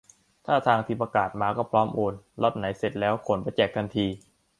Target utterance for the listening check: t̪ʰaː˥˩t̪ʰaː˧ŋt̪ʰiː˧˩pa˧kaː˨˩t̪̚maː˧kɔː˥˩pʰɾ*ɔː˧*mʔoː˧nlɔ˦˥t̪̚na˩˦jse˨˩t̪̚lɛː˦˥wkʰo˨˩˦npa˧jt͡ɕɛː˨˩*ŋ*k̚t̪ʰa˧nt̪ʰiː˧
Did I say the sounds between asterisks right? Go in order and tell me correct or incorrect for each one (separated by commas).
incorrect, incorrect